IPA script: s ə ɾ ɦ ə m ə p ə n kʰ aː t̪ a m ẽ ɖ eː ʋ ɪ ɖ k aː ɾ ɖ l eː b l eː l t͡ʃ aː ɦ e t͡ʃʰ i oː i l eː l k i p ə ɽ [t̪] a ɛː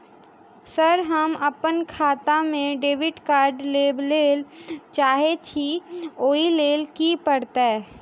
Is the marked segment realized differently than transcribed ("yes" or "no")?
no